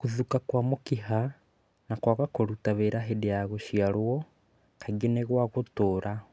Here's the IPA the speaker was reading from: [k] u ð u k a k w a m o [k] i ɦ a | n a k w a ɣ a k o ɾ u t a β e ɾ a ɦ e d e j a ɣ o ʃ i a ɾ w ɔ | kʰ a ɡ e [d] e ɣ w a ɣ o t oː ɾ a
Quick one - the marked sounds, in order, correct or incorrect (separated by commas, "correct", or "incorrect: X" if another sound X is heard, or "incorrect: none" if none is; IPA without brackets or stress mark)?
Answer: correct, correct, incorrect: n